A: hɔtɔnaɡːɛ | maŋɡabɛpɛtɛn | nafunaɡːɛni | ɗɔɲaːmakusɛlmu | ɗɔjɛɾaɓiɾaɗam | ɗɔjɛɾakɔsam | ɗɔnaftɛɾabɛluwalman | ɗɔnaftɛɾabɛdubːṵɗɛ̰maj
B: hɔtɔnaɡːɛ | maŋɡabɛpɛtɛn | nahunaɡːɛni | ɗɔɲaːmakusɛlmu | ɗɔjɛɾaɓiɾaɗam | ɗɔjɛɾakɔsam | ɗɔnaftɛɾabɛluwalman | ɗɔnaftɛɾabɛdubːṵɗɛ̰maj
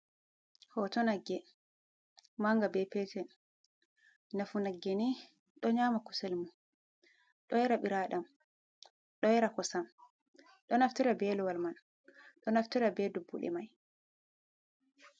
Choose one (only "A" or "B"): A